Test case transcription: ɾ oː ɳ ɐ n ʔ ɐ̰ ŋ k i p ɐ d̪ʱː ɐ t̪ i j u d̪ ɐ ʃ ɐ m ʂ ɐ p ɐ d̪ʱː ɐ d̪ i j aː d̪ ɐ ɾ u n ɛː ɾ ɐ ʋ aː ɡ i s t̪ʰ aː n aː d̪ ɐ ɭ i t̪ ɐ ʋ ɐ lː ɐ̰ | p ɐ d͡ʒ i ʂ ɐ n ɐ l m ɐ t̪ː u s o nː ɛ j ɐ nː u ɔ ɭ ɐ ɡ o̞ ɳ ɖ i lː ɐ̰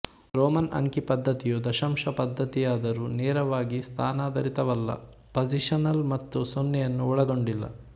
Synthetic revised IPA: ɾ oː m ɐ n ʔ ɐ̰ ŋ k i p ɐ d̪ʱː ɐ t̪ i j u d̪ ɐ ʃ ɐ m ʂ ɐ p ɐ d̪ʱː ɐ t̪ i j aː d̪ ɐ ɾ u n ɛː ɾ ɐ ʋ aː ɡ i s t̪ʰ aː n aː d̪ ɐ ɾ i t̪ ɐ ʋ ɐ lː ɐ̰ | p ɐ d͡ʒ i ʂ ɐ n ɐ l m ɐ t̪ː u s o nː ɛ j ɐ nː u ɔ ɭ ɐ ɡ o̞ ɳ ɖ i lː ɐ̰